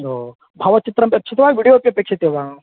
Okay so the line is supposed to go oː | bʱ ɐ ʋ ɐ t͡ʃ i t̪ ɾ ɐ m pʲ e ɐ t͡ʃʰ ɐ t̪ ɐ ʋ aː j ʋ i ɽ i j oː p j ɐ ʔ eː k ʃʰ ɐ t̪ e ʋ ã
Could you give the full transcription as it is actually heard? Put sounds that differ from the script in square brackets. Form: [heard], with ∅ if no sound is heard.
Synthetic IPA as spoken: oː | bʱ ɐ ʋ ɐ t͡ʃ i t̪ ɾ ɐ m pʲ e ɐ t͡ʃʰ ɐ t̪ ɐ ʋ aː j ʋ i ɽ i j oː p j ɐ [p] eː k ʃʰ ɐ t̪ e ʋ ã